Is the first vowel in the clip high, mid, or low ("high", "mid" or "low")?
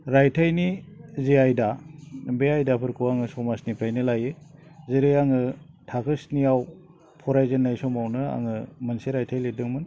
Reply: low